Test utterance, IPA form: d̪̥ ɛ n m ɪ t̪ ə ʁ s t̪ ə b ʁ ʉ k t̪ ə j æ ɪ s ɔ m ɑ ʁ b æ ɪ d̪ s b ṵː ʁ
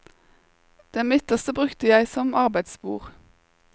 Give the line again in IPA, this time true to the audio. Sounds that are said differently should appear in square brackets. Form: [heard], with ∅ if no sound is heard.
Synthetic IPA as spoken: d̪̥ ɛ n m ɪ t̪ ə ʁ s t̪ ə b ʁ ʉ k t̪ ə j æ ɪ s ɔ m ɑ ʁ b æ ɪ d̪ s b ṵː ʁ